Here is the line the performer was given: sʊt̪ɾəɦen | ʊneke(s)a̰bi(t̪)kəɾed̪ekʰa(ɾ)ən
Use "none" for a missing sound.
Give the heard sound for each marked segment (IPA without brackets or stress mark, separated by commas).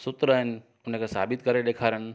s, t̪, ɾ